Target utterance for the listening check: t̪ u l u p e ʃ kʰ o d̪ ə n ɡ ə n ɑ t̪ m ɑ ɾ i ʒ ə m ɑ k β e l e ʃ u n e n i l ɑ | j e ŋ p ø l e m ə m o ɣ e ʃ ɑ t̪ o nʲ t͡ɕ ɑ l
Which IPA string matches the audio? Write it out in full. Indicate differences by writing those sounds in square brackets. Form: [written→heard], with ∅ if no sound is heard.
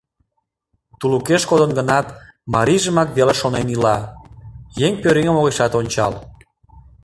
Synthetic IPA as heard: t̪ u l u [p→k] e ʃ [kʰ→k] o d̪ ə n ɡ ə n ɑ t̪ m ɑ ɾ i ʒ ə m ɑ k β e l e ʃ [u→o] n e n i l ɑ | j e ŋ p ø [l→ɾ] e [m→ŋ] ə m o ɣ e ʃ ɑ t̪ o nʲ t͡ɕ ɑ l